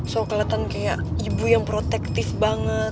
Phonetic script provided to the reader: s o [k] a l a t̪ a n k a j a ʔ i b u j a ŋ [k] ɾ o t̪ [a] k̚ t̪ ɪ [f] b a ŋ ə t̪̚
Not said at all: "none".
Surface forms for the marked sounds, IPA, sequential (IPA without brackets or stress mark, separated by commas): k, p, ɛ, f